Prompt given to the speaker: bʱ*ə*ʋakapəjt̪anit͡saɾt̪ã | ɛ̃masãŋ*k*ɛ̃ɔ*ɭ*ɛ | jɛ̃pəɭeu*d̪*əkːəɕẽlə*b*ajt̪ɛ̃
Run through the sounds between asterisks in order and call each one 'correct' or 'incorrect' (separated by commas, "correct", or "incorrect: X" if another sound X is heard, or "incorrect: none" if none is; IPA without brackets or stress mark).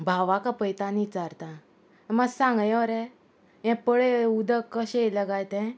incorrect: a, incorrect: ɡ, incorrect: ɾ, correct, incorrect: ɡ